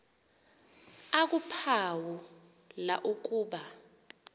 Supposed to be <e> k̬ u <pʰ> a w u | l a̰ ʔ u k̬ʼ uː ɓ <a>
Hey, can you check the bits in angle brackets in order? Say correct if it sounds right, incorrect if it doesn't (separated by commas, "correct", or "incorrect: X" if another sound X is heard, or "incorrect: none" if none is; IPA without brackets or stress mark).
incorrect: a, correct, correct